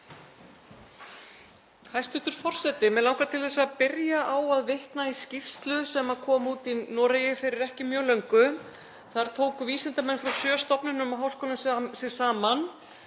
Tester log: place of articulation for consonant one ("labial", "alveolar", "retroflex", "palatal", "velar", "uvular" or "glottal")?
glottal